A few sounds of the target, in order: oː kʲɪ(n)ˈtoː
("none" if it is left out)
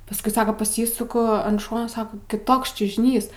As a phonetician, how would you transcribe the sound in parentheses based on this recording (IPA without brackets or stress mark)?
none